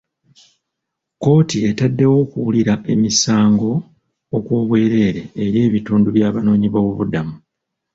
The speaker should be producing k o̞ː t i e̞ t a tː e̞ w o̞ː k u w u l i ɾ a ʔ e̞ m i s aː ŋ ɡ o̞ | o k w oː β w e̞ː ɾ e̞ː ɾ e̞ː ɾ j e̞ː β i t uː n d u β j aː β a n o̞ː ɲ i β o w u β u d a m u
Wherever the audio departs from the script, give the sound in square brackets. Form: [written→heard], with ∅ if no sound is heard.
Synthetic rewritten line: k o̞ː t i e̞ t a [tː→dː] e̞ w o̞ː k u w u l i ɾ a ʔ e̞ m i s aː ŋ ɡ o̞ | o k w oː β w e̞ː ɾ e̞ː ɾ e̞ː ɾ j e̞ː β i t uː n d u β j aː β a n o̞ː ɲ i β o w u β u d a m u